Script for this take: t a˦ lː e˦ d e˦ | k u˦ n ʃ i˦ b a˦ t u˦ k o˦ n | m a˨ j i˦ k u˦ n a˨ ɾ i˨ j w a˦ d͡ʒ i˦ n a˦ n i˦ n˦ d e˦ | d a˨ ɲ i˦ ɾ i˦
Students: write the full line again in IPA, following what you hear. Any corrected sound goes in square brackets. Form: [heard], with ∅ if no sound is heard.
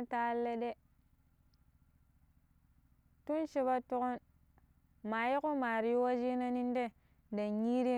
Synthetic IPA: t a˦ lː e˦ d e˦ | [t] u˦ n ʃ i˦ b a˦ t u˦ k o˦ n | m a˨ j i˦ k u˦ [m] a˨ ɾ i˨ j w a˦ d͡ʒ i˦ n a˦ n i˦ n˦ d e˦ | d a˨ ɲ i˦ ɾ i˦